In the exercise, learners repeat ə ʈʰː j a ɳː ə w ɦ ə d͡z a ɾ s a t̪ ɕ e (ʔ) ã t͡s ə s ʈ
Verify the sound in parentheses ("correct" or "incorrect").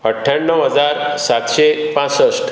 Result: incorrect